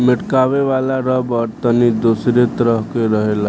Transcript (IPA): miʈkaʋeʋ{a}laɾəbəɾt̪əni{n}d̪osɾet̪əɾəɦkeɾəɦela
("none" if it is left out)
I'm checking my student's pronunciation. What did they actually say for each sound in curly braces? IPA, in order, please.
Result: a, none

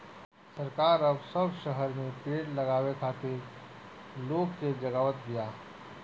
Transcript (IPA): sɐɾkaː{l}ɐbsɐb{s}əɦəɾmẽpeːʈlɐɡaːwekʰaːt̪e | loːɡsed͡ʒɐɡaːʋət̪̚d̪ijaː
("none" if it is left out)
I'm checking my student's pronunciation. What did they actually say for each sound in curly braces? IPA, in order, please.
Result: ɾ, ʃ

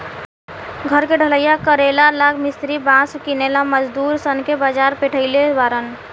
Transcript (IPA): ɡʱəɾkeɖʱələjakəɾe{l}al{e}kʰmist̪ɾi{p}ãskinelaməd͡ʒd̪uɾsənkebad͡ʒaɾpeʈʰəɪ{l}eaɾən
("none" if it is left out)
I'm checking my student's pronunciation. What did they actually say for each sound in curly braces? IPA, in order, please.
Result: l, a, b, l

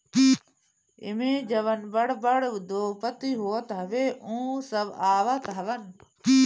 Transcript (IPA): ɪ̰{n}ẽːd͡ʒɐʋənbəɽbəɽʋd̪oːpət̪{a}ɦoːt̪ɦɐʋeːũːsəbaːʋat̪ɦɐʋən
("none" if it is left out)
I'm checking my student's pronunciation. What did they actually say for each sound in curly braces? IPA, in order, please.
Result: m, i

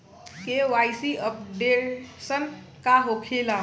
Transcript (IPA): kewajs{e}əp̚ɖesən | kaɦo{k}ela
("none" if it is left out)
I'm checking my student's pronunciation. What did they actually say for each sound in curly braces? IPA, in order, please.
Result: i, kʰ

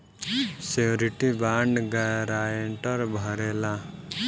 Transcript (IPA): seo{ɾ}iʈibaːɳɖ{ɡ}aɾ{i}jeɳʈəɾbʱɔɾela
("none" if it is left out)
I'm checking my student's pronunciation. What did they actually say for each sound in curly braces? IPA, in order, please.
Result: ɾ, ɡ, a

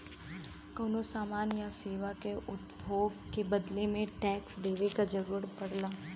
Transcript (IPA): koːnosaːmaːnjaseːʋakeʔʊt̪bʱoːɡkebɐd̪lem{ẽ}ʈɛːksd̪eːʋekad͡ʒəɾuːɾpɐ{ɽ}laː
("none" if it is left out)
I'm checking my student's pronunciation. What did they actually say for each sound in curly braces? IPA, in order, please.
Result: ẽ, ɽ

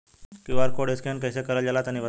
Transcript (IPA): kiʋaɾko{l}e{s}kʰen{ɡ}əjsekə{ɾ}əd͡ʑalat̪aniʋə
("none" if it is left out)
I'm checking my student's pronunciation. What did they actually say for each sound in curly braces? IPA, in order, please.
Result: ɽ, s, k, ɾ

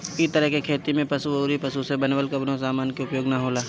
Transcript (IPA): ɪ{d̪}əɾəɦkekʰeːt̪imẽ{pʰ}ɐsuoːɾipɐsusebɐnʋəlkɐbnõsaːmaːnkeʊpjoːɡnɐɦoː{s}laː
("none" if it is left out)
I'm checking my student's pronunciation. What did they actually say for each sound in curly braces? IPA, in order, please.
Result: t̪, p, none

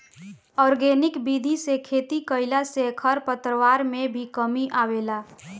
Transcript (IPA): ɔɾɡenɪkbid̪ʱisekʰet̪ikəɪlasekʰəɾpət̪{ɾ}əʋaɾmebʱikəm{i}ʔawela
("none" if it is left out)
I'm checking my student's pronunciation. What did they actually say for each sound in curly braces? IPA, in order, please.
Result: ɾ, i

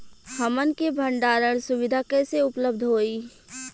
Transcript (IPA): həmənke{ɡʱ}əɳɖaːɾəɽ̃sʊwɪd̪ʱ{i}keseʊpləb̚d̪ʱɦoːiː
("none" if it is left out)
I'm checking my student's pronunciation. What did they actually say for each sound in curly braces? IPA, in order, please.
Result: bʱ, a

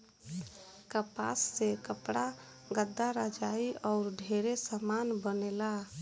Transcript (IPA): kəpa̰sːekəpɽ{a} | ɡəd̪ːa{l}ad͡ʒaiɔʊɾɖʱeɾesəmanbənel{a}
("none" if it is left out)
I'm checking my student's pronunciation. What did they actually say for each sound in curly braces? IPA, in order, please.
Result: a, ɾ, a

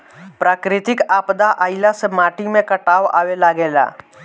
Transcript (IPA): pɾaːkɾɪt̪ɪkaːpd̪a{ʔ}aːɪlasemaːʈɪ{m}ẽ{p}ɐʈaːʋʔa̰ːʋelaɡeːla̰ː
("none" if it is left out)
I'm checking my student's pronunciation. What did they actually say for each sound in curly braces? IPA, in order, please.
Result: ʔ, m, k

